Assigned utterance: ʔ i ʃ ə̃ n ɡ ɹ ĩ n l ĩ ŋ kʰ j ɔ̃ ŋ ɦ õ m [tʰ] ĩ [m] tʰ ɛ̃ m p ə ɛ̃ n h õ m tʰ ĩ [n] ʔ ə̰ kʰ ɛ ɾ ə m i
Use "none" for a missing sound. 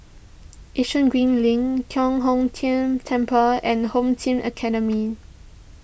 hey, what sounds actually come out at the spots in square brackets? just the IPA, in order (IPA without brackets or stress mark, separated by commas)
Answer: tʰ, m, m